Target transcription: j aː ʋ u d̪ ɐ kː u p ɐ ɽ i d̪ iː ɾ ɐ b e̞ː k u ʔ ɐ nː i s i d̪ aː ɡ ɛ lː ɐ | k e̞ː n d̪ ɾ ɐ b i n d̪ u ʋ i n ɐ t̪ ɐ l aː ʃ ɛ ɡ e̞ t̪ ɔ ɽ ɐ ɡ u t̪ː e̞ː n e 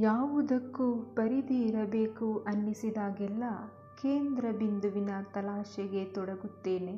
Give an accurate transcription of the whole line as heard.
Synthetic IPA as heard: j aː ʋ u d̪ ɐ kː u p ɐ ɾ i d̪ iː ɾ ɐ b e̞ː k u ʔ ɐ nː i s i d̪ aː ɡ ɛ lː ɐ | k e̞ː n d̪ ɾ ɐ b i n d̪ u ʋ i n ɐ t̪ ɐ l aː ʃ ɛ ɡ e̞ t̪ ɔ ɽ ɐ ɡ u t̪ː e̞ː n e